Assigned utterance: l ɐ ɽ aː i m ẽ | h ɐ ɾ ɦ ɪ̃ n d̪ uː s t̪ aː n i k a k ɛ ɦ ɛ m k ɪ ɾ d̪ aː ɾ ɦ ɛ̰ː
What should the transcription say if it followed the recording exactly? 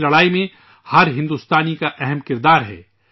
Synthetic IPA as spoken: l ɐ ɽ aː i m ẽ | h ɐ ɾ ɦ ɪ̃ n d̪ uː s t̪ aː n i k a ʔ ɛ ɦ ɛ m k ɪ ɾ d̪ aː ɾ ɦ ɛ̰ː